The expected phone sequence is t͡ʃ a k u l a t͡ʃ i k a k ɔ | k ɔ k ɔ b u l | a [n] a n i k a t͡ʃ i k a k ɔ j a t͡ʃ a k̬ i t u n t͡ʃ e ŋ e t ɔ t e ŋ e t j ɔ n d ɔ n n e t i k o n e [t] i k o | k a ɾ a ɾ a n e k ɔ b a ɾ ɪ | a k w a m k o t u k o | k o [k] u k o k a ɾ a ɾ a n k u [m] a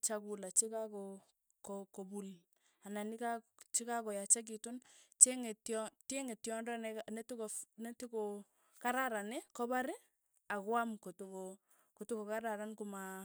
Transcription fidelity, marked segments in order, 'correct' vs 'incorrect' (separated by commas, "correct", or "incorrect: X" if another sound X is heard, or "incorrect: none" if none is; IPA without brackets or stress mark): correct, correct, incorrect: t, correct